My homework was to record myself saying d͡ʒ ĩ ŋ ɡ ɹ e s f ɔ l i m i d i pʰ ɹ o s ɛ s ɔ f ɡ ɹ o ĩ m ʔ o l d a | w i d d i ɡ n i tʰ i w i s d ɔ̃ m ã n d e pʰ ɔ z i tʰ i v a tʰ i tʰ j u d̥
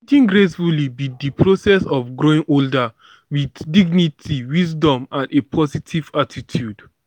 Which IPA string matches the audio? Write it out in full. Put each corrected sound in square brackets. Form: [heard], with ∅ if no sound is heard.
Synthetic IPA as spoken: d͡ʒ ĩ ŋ ɡ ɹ e s f [u] l i [b] i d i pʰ ɹ o s ɛ s ɔ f ɡ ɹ o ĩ [ŋ] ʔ o l d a | w i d d i ɡ n i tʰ i w i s d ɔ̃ m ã n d e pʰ ɔ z i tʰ i v a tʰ i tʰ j u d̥